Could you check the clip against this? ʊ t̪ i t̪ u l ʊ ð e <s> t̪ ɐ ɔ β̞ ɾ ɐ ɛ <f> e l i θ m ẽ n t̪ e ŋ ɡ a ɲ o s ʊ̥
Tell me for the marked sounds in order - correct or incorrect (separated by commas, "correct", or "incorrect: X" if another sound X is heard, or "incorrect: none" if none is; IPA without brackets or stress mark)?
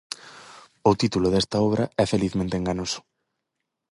correct, correct